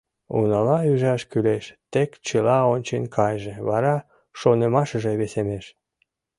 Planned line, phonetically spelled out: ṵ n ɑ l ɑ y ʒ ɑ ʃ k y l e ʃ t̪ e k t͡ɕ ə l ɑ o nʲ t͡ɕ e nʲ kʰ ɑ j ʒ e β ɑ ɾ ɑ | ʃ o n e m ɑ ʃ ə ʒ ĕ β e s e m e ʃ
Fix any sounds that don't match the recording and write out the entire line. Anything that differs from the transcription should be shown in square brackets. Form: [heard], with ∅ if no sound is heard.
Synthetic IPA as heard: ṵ n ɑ l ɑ y ʒ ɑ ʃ k y l e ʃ t̪ e k t͡ɕ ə l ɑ o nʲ t͡ɕ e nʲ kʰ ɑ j ʒ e β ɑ ɾ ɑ | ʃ o n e m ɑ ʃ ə ʒ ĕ β e s e m e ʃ